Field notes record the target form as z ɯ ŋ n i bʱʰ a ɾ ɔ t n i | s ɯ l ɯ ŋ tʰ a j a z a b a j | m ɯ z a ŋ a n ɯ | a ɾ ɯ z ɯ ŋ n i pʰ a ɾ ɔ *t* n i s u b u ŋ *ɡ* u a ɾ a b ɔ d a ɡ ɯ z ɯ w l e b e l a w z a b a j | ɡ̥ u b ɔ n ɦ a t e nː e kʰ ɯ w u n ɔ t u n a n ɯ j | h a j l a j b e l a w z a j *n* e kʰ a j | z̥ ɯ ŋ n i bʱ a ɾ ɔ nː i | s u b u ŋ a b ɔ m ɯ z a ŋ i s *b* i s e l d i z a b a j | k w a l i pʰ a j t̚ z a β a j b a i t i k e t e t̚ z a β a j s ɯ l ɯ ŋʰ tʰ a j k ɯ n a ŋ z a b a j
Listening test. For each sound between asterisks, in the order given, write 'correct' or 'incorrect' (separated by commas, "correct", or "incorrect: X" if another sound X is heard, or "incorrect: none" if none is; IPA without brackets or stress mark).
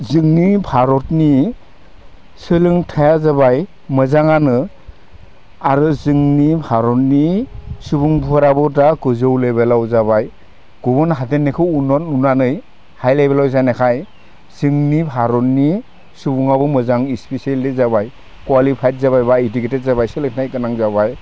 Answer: correct, incorrect: b, correct, incorrect: p